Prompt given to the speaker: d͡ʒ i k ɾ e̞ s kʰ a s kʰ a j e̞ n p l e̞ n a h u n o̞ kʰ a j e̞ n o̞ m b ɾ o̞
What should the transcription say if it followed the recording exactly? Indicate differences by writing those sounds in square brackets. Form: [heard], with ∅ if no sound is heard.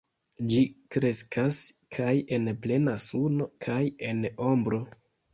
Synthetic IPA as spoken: d͡ʒ i k ɾ e̞ s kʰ a s kʰ a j e̞ n p l e̞ n a [s] u n o̞ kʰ a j e̞ n o̞ m b ɾ o̞